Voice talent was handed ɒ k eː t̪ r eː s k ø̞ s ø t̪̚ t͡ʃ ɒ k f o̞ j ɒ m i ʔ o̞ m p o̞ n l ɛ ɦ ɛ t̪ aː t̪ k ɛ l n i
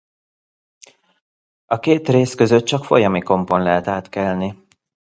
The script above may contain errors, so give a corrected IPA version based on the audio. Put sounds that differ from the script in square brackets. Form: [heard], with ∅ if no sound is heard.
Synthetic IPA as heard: ɒ k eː t̪ r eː s k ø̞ [z] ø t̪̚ t͡ʃ ɒ k f o̞ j ɒ m i [k] o̞ m p o̞ n l ɛ ɦ ɛ t̪ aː t̪ k ɛ l n i